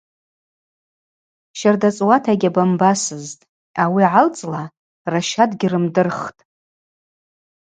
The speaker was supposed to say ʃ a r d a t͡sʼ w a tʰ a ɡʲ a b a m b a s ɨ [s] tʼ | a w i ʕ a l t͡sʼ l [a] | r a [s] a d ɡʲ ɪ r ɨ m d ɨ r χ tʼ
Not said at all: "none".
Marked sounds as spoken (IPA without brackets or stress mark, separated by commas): z, a, ʃ